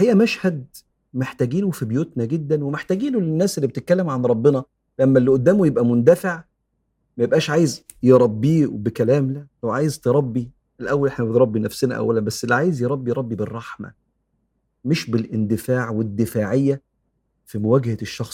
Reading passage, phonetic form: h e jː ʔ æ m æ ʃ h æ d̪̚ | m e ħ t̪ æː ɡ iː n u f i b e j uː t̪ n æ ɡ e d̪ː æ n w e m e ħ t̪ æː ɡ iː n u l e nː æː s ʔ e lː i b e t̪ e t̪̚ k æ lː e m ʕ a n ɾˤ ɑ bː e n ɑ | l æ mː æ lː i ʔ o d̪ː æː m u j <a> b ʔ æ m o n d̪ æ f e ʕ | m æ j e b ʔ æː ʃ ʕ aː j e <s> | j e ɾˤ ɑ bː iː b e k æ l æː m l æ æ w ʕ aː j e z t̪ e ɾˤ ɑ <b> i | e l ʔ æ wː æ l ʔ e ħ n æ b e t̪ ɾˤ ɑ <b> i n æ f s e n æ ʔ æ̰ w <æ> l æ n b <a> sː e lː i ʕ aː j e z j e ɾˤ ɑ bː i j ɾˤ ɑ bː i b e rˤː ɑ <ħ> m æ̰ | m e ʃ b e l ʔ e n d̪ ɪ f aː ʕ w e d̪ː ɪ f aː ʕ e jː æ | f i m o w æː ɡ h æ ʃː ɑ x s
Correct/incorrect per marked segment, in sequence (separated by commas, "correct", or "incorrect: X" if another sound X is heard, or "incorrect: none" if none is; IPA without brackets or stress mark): incorrect: e, incorrect: z, incorrect: bː, incorrect: bː, correct, incorrect: æ, correct